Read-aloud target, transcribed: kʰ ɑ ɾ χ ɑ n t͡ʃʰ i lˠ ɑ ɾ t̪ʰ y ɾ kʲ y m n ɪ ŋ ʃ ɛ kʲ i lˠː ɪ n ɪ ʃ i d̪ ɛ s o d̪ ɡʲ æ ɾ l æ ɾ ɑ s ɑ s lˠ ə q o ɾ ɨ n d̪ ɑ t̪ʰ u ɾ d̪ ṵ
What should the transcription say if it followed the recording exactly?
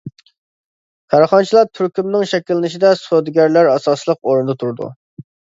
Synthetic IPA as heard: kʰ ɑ ɾ χ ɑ n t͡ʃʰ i lˠ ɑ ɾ t̪ʰ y ɾ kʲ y m n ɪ ŋ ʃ ɛ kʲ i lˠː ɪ n ɪ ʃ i d̪ ɛ s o d̪ ɡʲ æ ɾ l æ ɾ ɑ s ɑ s lˠ ə q o ɾ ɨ n d̪ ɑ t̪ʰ u ɾ d̪ ṵ